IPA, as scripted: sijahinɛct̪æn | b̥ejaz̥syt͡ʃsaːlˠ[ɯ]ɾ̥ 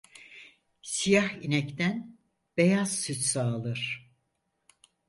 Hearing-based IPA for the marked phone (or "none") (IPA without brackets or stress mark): ɯ